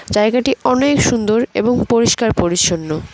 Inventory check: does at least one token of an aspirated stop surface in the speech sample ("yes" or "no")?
no